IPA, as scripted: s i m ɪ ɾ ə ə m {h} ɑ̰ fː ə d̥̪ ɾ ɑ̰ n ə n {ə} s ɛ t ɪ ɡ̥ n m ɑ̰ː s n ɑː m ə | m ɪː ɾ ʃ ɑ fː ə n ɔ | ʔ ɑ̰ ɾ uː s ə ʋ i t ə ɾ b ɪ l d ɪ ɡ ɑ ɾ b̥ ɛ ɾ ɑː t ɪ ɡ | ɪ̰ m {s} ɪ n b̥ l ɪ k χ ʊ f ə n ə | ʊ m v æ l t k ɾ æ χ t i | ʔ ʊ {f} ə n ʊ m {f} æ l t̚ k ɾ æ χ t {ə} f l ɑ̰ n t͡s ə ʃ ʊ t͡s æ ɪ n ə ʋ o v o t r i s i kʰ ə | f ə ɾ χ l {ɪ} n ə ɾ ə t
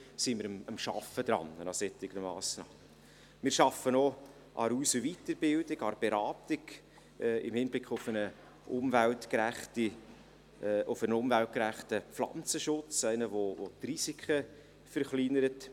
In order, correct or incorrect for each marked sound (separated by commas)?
incorrect, incorrect, incorrect, correct, incorrect, correct, incorrect